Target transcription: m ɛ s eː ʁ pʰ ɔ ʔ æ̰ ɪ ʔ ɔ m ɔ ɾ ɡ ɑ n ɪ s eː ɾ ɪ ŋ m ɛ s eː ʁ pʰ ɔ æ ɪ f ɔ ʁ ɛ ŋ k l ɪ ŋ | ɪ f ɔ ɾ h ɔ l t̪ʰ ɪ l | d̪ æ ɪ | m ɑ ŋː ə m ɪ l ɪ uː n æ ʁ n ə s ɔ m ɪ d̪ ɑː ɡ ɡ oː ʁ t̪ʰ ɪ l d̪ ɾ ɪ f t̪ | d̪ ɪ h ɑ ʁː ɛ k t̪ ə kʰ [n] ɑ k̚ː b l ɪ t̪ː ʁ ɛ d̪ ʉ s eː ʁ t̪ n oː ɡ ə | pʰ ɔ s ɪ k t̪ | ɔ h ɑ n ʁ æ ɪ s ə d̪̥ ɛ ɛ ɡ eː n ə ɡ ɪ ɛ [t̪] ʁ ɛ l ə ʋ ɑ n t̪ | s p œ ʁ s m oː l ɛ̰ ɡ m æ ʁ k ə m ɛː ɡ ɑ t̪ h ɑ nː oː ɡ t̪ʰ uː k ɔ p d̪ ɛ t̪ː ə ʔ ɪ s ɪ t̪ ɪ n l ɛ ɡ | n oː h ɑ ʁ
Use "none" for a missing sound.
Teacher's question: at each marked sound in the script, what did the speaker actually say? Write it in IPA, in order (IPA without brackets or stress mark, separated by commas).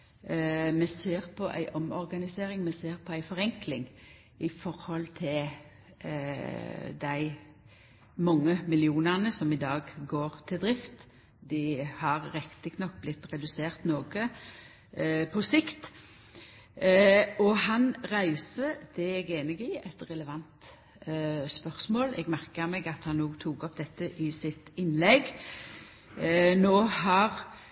n, t̪